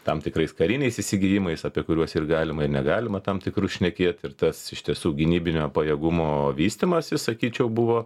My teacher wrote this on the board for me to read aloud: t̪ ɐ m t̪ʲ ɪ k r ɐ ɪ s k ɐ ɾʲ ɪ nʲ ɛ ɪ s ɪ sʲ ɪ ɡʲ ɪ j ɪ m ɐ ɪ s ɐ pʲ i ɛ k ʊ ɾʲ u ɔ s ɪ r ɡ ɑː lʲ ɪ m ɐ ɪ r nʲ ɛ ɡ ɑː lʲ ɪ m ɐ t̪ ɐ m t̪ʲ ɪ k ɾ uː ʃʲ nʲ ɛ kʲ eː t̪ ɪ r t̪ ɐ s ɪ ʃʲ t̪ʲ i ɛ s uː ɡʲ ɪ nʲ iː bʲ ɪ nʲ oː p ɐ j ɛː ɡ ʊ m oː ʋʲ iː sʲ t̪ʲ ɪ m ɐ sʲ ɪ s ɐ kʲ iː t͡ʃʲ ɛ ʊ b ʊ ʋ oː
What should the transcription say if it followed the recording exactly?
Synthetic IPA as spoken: t̪ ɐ m t̪ʲ ɪ k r ɐ ɪ s k ɐ ɾʲ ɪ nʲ ɛ ɪ s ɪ sʲ ɪ ɡʲ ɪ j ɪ m ɐ ɪ s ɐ pʲ i ɛ k ʊ ɾʲ u ɔ s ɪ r ɡ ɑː lʲ ɪ m ɐ ɪ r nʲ ɛ ɡ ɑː lʲ ɪ m ɐ t̪ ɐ m t̪ʲ ɪ k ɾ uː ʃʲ nʲ ɛ kʲ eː t̪ ɪ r t̪ ɐ s ɪ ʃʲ t̪ʲ i ɛ s uː ɡʲ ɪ nʲ iː bʲ ɪ nʲ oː p ɐ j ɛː ɡ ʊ m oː ʋʲ iː sʲ t̪ʲ ɪ m ɐ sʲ ɪ s ɐ kʲ iː t͡ʃʲ ɛ ʊ b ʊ ʋ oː